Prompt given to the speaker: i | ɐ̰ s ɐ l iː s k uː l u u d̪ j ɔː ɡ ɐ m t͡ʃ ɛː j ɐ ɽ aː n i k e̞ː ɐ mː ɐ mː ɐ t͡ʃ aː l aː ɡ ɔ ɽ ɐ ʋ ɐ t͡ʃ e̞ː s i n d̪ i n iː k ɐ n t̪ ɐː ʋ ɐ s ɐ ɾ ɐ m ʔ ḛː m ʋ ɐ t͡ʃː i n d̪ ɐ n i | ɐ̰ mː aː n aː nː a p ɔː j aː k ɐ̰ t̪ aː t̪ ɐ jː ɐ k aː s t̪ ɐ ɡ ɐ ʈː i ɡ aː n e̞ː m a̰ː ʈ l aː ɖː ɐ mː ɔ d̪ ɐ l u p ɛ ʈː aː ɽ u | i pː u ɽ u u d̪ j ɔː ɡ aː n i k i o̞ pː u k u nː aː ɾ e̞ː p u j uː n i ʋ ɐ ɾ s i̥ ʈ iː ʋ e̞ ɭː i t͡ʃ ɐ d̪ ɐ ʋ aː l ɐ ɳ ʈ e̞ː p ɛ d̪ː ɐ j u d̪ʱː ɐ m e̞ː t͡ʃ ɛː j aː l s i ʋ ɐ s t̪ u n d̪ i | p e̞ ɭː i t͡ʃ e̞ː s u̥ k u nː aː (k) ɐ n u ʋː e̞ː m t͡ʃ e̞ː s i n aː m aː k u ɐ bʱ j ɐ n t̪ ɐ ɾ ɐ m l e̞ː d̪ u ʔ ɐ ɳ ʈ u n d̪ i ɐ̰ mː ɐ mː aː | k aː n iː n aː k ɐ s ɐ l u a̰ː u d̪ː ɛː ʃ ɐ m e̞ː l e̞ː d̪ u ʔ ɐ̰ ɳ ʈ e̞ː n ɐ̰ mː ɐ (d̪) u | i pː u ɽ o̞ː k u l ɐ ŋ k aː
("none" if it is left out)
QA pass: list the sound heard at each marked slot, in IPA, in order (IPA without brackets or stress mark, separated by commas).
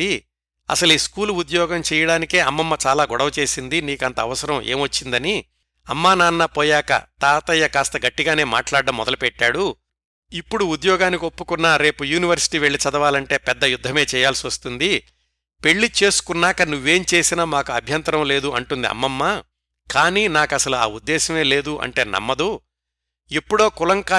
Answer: k, d̪